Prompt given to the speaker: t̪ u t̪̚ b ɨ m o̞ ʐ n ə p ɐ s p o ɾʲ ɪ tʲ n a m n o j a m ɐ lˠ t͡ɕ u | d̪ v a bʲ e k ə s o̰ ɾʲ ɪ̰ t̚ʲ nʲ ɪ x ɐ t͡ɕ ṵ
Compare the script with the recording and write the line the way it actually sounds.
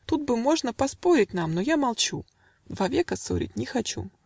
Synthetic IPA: t̪ u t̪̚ b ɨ m o̞ ʐ n ə p ɐ s p o ɾʲ ɪ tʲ n a m n o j a m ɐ lˠ t͡ɕ u | d̪ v a vʲ e k ə s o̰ ɾʲ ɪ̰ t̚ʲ nʲ ɪ x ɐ t͡ɕ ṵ